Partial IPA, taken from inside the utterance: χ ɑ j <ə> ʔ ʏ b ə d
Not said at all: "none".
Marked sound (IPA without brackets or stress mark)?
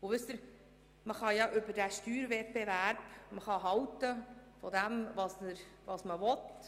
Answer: ɑ